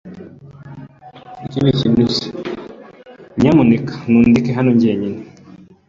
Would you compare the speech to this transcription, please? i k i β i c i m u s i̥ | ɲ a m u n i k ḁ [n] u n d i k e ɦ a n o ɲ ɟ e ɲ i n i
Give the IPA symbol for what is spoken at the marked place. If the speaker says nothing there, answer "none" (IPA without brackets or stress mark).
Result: n